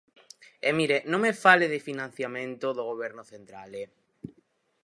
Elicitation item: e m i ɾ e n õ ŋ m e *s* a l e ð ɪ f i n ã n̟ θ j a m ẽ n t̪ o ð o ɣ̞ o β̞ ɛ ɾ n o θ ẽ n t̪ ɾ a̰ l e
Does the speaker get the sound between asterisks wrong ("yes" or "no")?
yes